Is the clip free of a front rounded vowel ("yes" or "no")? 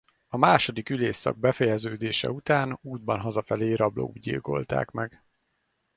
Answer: no